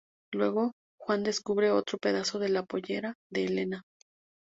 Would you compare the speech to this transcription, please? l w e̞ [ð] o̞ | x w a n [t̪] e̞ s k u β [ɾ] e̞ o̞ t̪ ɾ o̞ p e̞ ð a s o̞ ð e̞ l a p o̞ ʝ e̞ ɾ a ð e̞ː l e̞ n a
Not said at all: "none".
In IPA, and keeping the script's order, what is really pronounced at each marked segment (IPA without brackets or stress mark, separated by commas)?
ɣ, d̪, ɾ